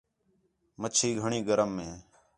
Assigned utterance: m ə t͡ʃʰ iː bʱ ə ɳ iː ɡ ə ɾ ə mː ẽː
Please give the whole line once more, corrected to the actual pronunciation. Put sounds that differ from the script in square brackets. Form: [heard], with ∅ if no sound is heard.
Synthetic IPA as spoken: m ə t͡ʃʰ iː [ɡʱ] ə ɳ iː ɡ ə ɾ ə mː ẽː